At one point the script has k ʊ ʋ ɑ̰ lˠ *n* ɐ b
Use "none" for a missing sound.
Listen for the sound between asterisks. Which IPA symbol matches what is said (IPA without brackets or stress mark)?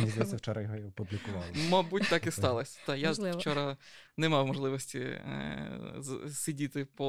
m